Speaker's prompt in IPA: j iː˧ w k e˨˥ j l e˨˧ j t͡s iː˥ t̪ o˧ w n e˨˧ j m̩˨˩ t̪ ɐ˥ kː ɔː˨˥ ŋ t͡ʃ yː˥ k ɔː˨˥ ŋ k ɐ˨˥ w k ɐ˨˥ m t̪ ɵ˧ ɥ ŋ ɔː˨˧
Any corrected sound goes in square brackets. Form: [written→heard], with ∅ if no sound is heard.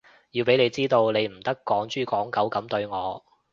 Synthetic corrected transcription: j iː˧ w [k→p] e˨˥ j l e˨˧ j t͡s iː˥ t̪ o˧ w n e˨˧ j m̩˨˩ t̪ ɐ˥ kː ɔː˨˥ ŋ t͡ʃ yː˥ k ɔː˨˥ ŋ k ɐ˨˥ w k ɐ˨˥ m t̪ ɵ˧ ɥ ŋ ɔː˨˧